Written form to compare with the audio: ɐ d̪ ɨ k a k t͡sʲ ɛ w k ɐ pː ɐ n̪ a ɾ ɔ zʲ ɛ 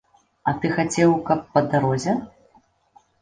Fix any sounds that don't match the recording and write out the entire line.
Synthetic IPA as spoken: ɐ t̪ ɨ x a t͡sʲ ɛ w k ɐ pː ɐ d̪ a ɾ ɔ zʲ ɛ